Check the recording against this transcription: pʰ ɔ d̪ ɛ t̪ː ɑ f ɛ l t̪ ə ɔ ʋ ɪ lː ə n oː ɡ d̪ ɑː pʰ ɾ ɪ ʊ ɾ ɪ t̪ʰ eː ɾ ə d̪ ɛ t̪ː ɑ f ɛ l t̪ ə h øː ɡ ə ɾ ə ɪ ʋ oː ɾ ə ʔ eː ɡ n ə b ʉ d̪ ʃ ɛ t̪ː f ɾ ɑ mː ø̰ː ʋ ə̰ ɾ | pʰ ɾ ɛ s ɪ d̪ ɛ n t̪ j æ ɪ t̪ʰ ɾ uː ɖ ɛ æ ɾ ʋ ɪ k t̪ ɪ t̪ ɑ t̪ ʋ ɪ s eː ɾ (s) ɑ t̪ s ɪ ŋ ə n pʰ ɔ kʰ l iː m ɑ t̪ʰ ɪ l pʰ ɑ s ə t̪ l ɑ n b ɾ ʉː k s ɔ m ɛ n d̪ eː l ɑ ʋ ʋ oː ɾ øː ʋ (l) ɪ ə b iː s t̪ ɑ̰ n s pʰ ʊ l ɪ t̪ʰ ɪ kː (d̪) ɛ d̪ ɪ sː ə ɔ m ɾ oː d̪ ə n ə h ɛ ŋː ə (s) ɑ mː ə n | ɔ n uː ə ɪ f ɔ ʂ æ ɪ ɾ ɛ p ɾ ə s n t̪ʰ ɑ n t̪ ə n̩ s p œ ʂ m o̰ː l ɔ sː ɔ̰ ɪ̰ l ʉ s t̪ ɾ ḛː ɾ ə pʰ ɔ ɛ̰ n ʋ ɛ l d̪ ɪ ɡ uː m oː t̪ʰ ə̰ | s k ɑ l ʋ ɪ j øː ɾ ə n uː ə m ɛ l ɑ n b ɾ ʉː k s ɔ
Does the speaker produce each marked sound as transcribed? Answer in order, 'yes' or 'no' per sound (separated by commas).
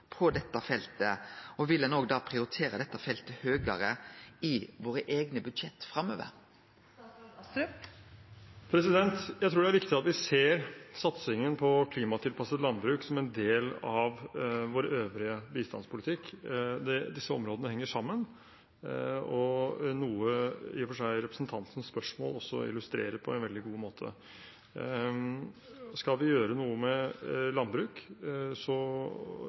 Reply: yes, no, yes, no